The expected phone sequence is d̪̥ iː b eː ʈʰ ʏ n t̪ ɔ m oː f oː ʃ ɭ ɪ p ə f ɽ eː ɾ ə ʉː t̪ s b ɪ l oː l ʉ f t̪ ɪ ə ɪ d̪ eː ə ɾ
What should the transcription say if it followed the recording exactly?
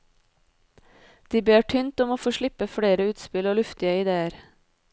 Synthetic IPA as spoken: d̪̥ iː b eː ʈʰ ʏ n t̪ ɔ m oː f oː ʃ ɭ ɪ p ə f ɽ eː ɾ ə ʉː t̪ s p ɪ l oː l ʉ f t̪ ɪ ə ɪ d̪ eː ə ɾ